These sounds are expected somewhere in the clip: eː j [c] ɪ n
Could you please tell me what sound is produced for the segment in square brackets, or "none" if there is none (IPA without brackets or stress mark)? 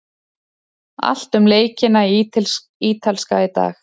c